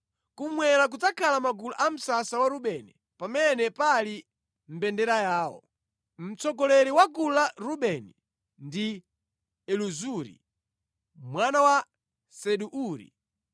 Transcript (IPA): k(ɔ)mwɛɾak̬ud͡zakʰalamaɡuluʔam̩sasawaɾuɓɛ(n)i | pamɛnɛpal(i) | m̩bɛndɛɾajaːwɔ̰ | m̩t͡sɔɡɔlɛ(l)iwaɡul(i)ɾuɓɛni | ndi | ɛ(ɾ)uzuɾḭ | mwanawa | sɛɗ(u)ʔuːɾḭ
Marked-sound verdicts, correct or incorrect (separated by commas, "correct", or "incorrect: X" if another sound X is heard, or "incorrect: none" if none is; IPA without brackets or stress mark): incorrect: u, correct, correct, incorrect: ɾ, incorrect: a, incorrect: l, correct